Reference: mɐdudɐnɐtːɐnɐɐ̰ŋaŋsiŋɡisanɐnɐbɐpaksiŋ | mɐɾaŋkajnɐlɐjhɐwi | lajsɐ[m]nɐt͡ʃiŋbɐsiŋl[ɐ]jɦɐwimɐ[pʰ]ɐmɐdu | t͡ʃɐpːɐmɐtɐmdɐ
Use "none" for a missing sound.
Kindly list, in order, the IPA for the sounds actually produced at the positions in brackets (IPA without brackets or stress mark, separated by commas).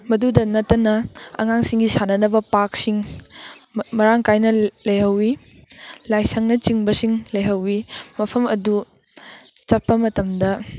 ŋ, ɐ, pʰ